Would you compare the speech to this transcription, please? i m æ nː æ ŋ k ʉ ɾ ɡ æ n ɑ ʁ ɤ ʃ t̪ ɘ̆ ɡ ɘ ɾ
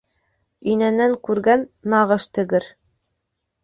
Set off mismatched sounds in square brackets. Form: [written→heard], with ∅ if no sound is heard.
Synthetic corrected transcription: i [m→n] æ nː æ ŋ k ʉ ɾ ɡ æ [n→nː] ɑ ʁ ɤ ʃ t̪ ɘ̆ ɡ ɘ ɾ

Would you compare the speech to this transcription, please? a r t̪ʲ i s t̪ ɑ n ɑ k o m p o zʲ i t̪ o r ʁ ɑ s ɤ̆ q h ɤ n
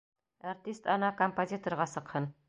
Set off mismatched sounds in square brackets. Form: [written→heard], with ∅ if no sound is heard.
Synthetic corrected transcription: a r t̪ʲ i s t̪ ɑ n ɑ k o m p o zʲ i t̪ o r ʁ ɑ s ɤ̆ q h ɤ n

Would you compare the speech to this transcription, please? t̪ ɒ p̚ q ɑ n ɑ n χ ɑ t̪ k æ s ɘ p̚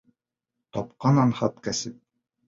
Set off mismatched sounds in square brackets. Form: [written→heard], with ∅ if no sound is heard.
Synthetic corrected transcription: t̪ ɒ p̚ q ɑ n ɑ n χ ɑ t̪ k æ s ɘ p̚

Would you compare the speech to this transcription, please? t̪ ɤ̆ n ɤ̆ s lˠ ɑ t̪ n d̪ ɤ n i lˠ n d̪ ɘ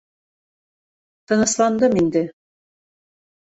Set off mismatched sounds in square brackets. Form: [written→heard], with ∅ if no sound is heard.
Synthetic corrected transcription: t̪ ɤ̆ n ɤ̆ s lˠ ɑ [t̪→∅] n d̪ ɤ [n→m] i [lˠ→∅] n d̪ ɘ

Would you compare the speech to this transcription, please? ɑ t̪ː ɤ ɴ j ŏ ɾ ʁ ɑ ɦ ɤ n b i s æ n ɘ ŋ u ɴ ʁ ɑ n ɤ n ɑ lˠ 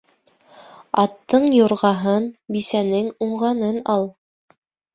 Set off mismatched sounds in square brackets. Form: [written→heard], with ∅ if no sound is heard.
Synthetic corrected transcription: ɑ t̪ː ɤ ɴ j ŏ ɾ ʁ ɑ ɦ ɤ n b i s æ n ɘ ŋ u ɴ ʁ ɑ n ɤ n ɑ lˠ

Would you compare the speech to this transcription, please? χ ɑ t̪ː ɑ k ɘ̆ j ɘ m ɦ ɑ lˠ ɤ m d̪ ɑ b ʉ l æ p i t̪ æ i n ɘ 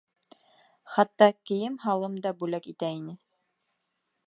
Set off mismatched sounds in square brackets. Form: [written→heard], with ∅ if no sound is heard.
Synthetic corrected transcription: χ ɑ t̪ː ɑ k ɘ̆ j ɘ m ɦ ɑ lˠ ɤ m d̪ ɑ b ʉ l æ [p→k] i t̪ æ i n ɘ

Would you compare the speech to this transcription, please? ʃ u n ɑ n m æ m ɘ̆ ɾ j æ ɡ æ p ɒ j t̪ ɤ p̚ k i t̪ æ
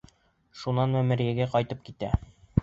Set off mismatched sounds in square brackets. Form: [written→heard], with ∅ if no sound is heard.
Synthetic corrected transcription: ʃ u n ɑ n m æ m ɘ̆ ɾ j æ ɡ æ [p→q] ɒ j t̪ ɤ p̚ k i t̪ æ

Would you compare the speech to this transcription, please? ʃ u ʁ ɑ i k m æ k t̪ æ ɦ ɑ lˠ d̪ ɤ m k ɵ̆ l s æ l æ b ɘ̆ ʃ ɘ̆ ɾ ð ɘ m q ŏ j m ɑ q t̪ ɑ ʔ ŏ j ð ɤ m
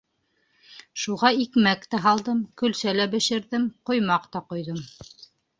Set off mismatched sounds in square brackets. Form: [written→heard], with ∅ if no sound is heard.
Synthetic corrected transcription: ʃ u ʁ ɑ i k m æ k t̪ æ ɦ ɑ lˠ d̪ ɤ m k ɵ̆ l s æ l æ b ɘ̆ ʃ ɘ̆ ɾ ð ɘ m q ŏ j m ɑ q t̪ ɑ [ʔ→q] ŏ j ð ɤ m

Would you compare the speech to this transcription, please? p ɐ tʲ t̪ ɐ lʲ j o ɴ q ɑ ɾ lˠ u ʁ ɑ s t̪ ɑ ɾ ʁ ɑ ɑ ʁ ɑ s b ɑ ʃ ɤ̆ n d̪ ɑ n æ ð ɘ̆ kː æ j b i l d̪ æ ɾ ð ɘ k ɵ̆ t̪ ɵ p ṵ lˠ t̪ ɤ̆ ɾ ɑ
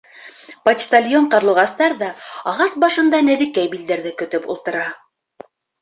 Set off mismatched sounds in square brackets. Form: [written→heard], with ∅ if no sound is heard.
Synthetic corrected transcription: p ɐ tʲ t̪ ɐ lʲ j o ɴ q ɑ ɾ lˠ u ʁ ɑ s t̪ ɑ ɾ [ʁ→ð] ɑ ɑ ʁ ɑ s b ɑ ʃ ɤ̆ n d̪ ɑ n æ ð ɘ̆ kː æ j b i l d̪ æ ɾ ð ɘ k ɵ̆ t̪ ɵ p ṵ lˠ t̪ ɤ̆ ɾ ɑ

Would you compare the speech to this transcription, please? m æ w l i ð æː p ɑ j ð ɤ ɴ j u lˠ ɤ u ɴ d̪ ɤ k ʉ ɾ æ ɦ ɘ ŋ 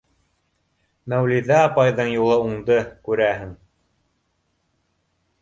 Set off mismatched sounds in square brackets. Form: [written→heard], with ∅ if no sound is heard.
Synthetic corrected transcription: m æ w l i ð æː p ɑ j ð ɤ ɴ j u lˠ ɤ u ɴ d̪ ɤ k ʉ ɾ æ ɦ ɘ ŋ

